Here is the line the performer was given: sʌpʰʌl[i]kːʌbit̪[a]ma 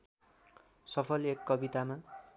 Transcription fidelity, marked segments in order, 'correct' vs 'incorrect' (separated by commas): incorrect, correct